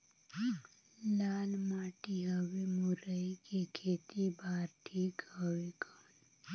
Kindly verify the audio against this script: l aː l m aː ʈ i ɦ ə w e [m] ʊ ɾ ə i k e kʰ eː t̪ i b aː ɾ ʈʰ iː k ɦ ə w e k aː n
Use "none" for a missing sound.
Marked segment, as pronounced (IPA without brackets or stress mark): m